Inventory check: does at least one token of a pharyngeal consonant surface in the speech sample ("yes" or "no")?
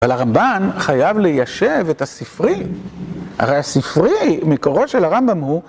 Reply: no